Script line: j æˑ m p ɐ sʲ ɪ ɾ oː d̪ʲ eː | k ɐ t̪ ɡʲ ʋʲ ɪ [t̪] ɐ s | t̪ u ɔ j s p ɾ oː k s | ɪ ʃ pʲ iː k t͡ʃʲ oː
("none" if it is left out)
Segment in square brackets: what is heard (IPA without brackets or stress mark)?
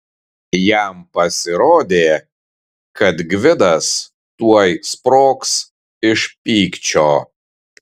d̪